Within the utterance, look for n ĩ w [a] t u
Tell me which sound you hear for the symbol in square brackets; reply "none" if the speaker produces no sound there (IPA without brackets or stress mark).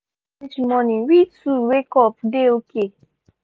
i